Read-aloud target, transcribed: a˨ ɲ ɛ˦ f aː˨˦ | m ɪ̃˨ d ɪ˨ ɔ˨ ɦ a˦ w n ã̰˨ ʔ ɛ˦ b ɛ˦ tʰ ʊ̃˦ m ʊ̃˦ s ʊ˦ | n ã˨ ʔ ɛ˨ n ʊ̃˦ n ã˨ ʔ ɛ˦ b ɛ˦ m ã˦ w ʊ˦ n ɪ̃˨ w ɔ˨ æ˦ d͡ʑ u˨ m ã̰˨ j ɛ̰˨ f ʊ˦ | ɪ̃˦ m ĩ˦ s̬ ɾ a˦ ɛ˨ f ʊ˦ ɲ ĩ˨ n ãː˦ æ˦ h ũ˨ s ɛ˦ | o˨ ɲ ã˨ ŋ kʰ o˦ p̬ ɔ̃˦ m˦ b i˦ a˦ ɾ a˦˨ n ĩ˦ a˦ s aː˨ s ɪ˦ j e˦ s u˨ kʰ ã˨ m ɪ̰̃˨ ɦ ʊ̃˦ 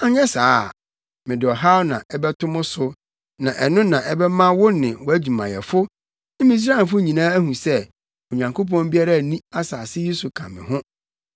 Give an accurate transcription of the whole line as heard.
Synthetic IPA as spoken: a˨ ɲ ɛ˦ s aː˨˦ | m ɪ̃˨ d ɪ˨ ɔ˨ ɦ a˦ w n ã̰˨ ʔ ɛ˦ b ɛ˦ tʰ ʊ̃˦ m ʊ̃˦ s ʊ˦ | n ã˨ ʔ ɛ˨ n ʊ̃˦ n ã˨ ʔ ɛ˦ b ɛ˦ m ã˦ w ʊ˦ n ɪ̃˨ w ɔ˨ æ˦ d͡ʑ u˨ m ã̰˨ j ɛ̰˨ f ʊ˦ | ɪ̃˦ m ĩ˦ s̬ ɾ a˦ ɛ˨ f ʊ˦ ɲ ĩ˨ n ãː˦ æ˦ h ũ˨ s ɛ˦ | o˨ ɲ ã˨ ŋ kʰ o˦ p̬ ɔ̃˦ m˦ b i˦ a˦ ɾ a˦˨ n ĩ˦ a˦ s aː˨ s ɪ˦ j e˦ s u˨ kʰ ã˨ m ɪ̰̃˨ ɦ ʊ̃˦

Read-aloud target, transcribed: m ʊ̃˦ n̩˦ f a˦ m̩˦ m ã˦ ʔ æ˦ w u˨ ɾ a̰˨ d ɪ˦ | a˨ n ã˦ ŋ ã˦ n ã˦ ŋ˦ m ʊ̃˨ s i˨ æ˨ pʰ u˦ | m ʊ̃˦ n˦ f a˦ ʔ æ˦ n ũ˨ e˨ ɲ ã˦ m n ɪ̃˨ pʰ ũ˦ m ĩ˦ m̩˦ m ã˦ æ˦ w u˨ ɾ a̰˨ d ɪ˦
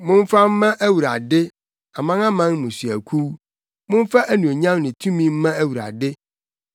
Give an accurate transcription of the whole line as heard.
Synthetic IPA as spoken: m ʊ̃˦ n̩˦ f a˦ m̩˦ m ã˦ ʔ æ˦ w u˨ ɾ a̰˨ d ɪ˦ | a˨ m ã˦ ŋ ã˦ m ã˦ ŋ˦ m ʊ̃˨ s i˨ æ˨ kʰ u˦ | m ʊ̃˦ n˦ f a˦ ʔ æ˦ n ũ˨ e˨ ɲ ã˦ m n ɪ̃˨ tʰ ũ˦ m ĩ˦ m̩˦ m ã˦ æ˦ w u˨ ɾ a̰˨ d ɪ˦

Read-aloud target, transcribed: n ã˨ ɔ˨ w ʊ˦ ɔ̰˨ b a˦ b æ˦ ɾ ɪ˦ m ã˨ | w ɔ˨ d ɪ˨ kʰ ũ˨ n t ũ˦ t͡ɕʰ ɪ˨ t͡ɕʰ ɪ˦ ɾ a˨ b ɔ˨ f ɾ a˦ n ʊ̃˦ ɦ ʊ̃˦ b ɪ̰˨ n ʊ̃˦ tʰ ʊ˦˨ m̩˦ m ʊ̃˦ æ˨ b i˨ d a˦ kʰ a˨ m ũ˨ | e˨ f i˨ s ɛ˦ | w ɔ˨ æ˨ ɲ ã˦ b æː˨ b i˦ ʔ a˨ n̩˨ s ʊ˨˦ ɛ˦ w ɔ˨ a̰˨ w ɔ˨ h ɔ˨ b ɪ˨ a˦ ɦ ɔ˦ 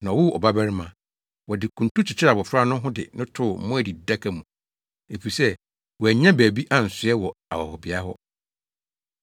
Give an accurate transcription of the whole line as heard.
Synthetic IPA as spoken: n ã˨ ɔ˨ w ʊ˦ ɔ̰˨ b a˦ b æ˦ ɾ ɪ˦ m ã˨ | w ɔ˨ d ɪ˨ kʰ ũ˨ n t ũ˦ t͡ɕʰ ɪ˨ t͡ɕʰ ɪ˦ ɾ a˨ b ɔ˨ f ɾ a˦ n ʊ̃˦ ɦ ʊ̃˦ d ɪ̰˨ n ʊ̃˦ tʰ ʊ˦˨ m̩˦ m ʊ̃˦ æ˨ d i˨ d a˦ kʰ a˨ m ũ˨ | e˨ f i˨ s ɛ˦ | w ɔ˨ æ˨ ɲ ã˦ b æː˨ b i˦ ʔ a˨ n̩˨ s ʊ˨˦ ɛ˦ w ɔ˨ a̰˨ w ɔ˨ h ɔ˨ b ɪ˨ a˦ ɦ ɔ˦

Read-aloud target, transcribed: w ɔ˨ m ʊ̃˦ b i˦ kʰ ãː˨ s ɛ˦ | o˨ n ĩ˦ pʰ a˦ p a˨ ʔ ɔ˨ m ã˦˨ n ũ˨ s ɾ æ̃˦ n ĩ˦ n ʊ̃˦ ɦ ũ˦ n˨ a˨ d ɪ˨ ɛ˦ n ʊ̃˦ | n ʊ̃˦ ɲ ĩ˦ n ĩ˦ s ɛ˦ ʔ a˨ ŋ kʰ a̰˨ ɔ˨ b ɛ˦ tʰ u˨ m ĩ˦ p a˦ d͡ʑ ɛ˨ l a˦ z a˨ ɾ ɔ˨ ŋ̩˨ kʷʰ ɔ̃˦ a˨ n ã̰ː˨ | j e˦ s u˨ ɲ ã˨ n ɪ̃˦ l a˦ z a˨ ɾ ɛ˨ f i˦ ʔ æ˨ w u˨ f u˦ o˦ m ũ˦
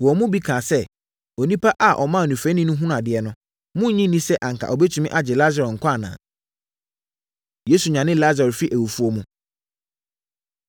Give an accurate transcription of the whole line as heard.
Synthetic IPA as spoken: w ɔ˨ m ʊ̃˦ b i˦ kʰ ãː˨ s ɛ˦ | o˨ n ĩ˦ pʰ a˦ ʔ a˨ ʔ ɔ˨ m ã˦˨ n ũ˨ f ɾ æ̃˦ n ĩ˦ n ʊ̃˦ ɦ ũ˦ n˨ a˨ d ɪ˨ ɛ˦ n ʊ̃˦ | m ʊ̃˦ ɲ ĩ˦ n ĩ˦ s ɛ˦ ʔ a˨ ŋ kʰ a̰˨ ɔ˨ b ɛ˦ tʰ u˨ m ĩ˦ ʔ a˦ d͡ʑ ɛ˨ l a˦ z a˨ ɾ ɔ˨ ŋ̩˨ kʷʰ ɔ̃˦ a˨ n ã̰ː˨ | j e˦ s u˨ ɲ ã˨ n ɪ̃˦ l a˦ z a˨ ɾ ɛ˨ f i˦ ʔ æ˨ w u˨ f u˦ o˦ m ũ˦

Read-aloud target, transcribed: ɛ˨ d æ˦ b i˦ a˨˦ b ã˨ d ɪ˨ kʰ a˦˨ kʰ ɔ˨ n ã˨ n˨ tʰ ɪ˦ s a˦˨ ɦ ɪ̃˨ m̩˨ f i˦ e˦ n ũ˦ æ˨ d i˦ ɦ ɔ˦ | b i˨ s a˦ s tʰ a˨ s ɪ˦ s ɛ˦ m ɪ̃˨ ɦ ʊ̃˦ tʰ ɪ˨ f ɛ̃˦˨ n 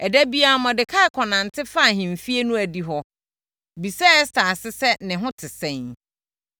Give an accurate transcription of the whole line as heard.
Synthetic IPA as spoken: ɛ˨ d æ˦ b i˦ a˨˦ m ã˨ d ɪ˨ kʰ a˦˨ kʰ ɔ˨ n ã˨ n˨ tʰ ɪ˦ f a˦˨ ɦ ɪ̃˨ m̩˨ f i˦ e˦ n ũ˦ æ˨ d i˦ ɦ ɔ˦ | b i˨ s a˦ s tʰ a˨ s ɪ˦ s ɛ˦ n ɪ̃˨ ɦ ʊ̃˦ tʰ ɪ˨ s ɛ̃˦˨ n

